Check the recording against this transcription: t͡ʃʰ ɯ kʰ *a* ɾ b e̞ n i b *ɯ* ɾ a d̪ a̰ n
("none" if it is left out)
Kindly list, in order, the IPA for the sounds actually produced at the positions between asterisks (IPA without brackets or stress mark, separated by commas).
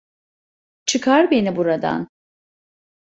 a, u